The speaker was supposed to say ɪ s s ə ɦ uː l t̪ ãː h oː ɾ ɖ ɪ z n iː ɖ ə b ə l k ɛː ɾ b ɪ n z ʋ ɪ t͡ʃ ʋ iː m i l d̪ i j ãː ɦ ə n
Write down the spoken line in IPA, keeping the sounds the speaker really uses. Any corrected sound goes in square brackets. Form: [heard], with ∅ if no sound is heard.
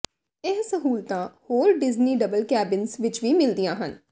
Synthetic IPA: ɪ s s ə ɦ uː l t̪ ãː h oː ɾ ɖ ɪ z n iː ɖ ə b ə l k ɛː [∅] b ɪ n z ʋ ɪ t͡ʃ ʋ iː m [ɪ] l d̪ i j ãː ɦ ə n